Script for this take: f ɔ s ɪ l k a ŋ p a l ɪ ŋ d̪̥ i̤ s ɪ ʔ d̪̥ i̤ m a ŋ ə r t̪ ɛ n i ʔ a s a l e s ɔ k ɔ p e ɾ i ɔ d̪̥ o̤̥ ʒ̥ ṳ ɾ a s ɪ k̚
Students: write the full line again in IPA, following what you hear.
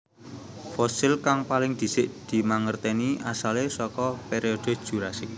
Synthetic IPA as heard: f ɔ s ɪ l k a ŋ p a l ɪ ŋ d̪̥ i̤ s ɪ ʔ d̪̥ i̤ m a ŋ ə r t̪ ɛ n i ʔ a s a l e s ɔ k ɔ p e ɾ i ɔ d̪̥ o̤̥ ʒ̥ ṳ ɾ a s ɪ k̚